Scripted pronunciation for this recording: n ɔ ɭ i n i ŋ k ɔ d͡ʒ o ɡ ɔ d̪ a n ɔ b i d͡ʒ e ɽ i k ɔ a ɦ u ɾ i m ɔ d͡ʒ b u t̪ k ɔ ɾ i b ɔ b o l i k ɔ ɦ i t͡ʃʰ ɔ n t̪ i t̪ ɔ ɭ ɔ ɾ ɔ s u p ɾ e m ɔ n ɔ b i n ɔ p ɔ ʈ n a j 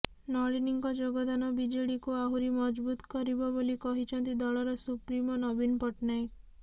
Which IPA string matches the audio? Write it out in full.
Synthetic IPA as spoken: n ɔ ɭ i n i ŋ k ɔ d͡ʒ o ɡ ɔ d̪ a n ɔ b i d͡ʒ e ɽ i k u a ɦ u ɾ i m ɔ d͡ʒ b u t̪ k ɔ ɾ i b ɔ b o l i k ɔ ɦ i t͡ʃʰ ɔ n t̪ i d̪ ɔ ɭ ɔ ɾ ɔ s u p ɾ i m ɔ n ɔ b i n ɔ p ɔ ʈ n a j

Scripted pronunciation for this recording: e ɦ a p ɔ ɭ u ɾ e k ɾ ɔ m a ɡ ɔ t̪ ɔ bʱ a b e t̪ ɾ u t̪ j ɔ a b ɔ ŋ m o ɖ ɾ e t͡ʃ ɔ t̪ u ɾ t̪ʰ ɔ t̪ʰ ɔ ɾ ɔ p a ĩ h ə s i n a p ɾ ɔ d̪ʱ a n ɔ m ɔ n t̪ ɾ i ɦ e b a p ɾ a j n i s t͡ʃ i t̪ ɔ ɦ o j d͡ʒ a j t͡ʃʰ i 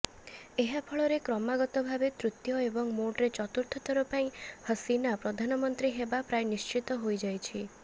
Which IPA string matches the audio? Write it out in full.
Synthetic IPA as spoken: e ɦ a pʰ ɔ ɭ ɔ ɾ e k ɾ ɔ m a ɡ ɔ t̪ ɔ bʱ a b e t̪ ɾ u t̪ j ɔ e b ɔ ŋ m o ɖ ɾ e t͡ʃ ɔ t̪ u ɾ t̪ʰ ɔ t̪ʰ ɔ ɾ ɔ p a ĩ h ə s i n a p ɾ ɔ d̪ʱ a n ɔ m ɔ n t̪ ɾ i ɦ e b a p ɾ a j n i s t͡ʃ i t̪ ɔ ɦ o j d͡ʒ a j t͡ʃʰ i

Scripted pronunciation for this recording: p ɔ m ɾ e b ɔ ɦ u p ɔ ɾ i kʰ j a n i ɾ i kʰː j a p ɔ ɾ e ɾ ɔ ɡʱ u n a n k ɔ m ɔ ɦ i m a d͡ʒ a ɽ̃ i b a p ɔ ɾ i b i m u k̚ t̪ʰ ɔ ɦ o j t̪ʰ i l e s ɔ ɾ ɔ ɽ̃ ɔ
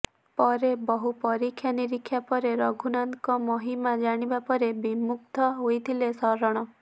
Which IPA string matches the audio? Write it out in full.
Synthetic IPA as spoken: p ɔ ɾ e b ɔ ɦ u p ɔ ɾ i kʰ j a n i ɾ i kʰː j a p ɔ ɾ e ɾ ɔ ɡʱ u n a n k ɔ m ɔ ɦ i m a d͡ʒ a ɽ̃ i b a p ɔ ɾ e b i m u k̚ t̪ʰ ɔ ɦ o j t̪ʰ i l e s ɔ ɾ ɔ ɽ̃ ɔ

